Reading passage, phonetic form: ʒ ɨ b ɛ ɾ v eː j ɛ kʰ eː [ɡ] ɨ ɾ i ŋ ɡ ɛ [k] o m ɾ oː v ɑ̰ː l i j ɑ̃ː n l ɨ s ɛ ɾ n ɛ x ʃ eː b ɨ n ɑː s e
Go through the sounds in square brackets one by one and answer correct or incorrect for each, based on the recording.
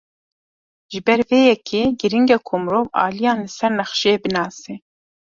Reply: correct, incorrect: kʰ

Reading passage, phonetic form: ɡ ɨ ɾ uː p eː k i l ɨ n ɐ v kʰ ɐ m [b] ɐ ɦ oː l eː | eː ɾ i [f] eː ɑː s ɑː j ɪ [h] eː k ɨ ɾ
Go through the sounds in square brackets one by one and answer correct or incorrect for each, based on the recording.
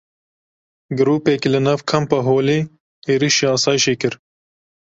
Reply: incorrect: p, incorrect: ʃ, incorrect: ʃ

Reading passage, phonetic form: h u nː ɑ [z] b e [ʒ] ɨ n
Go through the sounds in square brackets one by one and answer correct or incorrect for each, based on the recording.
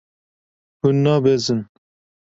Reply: incorrect: none, incorrect: z

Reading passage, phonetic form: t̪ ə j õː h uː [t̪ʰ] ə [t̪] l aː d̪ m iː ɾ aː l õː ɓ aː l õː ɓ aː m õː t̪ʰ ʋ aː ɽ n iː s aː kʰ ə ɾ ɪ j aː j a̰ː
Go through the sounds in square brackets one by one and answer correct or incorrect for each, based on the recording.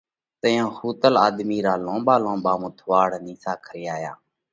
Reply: incorrect: t̪, incorrect: none

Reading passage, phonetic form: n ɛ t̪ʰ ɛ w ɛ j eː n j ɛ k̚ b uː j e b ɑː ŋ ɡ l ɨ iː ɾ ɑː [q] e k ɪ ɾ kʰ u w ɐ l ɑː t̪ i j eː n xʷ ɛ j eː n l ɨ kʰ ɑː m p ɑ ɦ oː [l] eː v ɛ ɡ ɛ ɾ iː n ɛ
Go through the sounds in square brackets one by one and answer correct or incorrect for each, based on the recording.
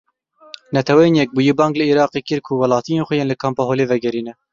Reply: correct, correct

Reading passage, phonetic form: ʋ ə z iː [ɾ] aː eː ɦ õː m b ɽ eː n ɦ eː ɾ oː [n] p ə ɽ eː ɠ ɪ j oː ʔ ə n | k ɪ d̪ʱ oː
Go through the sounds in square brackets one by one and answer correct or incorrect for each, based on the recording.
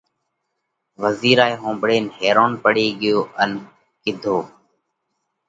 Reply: correct, correct

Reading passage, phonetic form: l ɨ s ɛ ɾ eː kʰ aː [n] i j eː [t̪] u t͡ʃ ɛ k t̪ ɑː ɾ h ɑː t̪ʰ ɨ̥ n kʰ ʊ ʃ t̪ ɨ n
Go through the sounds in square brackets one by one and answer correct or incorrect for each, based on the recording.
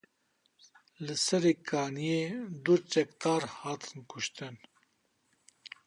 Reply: correct, incorrect: d̪

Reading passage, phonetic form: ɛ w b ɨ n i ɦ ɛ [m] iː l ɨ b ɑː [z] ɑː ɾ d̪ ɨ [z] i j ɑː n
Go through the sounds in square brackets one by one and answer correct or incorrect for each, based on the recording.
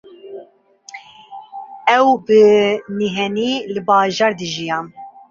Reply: incorrect: n, incorrect: ʒ, incorrect: ʒ

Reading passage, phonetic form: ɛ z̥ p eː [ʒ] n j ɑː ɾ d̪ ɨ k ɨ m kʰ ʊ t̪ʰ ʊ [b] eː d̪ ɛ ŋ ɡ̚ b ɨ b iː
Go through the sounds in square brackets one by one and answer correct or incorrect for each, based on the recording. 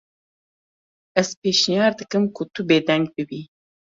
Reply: incorrect: ʃ, correct

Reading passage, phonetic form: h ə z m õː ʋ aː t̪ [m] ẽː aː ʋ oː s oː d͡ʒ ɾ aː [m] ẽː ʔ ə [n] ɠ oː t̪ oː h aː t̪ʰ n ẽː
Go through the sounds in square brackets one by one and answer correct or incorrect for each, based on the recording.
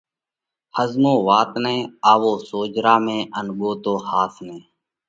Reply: incorrect: n, correct, correct

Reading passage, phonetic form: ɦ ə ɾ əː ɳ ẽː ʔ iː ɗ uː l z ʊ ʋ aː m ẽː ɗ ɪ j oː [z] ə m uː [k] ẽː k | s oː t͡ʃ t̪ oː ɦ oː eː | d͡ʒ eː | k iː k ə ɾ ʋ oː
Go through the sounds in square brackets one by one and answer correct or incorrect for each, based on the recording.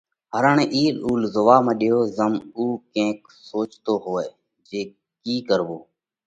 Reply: correct, correct

